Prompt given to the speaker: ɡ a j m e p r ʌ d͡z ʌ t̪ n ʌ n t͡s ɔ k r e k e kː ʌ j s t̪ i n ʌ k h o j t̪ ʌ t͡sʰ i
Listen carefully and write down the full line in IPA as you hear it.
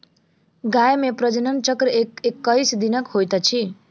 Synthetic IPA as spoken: ɡ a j m e p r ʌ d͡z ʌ n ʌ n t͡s ʌ k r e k e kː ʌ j s d̪ i n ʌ k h o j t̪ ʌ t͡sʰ i